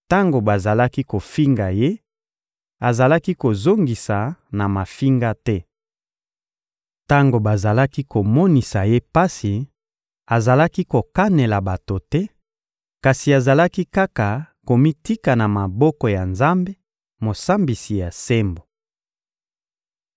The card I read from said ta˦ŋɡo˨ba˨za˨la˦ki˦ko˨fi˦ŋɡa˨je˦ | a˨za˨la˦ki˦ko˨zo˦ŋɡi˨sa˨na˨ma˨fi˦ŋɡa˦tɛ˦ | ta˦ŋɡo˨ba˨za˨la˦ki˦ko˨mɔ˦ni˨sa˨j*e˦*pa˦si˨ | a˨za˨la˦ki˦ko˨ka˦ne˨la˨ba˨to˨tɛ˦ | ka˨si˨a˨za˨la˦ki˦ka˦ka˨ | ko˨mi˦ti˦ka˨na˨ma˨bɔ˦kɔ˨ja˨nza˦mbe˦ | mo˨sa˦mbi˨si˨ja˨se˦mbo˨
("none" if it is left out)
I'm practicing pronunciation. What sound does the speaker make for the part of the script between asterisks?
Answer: e˦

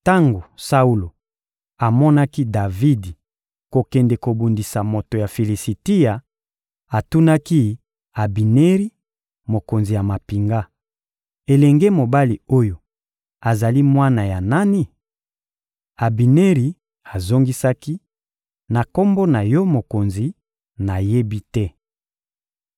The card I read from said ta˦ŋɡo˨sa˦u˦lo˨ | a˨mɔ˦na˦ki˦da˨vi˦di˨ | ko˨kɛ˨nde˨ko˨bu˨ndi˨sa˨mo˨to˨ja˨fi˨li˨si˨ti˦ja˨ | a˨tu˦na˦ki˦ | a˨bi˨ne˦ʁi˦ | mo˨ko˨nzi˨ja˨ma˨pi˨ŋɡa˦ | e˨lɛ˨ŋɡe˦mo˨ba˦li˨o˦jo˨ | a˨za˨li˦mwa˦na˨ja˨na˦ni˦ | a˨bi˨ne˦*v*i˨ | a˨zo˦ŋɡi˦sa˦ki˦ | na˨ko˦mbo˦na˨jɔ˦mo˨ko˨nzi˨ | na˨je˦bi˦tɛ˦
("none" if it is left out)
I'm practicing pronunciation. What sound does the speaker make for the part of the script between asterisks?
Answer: ʁ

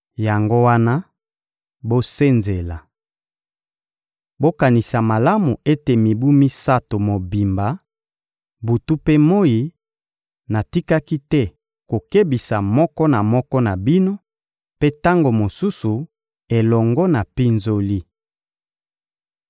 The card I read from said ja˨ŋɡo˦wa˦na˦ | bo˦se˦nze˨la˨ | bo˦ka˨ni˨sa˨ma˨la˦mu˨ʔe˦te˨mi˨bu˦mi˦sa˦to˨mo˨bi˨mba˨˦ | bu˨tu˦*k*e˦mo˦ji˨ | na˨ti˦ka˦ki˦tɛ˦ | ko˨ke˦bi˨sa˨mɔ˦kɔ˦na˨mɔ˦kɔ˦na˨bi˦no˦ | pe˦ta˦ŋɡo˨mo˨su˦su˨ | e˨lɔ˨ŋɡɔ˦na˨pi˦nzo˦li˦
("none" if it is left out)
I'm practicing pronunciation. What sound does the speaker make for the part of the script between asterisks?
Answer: p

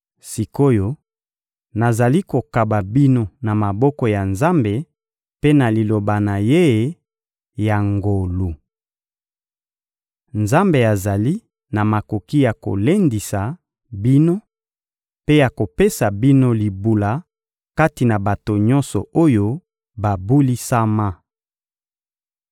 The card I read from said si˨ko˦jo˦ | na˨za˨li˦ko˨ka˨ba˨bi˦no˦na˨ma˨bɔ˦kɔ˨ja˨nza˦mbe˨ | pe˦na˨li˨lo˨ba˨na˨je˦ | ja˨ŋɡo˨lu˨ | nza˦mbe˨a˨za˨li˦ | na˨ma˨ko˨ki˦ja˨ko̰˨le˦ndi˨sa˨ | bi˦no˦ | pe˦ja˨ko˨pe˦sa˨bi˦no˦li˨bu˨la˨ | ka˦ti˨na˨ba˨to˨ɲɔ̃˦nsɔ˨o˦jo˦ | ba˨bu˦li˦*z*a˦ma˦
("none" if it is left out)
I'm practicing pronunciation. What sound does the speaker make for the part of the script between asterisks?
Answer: s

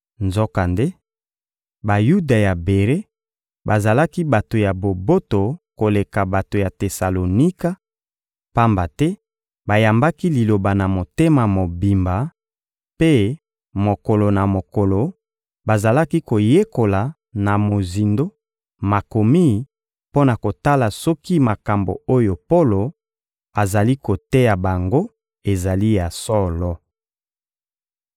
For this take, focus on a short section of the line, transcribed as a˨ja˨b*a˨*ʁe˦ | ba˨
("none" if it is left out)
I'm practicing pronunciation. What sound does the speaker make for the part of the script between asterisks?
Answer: e˨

